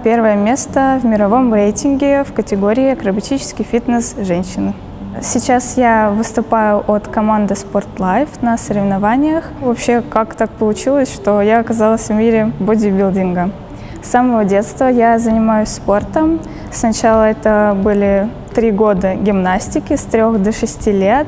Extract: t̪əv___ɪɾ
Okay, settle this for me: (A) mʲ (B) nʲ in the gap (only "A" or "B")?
A